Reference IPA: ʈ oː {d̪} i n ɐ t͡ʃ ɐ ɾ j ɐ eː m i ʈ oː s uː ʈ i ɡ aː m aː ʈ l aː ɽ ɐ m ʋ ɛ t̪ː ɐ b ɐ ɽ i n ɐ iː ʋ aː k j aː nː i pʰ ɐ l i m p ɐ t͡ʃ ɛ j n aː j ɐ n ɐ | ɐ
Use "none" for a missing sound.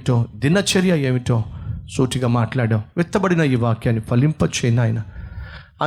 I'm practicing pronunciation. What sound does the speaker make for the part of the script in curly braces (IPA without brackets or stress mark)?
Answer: d̪